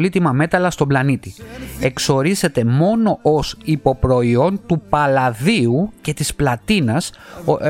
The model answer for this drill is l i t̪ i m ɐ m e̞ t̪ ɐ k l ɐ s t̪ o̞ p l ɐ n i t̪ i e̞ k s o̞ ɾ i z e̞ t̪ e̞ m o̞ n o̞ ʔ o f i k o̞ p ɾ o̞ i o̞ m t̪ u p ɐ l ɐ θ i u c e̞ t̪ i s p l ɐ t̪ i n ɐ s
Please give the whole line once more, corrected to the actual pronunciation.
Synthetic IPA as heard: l i t̪ i m ɐ m e̞ t̪ ɐ l ɐ s t̪ o̞ b l ɐ n i t̪ i e̞ k s o̞ ɾ i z e̞ t̪ e̞ m o̞ n o̞ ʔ o s i p o̞ p ɾ o̞ i o̞ n t̪ u p ɐ l ɐ ð i u c e̞ t̪ i s p l ɐ t̪ i n ɐ s